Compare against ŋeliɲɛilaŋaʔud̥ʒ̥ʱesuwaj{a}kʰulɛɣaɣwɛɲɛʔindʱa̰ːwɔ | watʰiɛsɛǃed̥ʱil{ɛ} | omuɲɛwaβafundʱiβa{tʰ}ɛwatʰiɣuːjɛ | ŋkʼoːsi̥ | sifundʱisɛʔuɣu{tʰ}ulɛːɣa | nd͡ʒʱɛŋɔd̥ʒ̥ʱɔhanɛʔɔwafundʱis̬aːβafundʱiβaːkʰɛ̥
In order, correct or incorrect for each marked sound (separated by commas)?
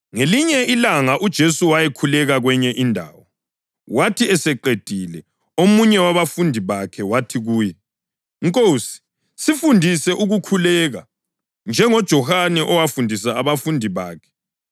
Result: incorrect, correct, incorrect, incorrect